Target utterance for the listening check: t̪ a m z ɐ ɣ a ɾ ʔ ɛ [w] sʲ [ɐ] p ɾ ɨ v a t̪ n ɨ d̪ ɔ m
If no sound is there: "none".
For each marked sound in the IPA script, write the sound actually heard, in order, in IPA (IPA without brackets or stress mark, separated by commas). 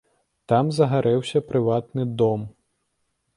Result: w, ɐ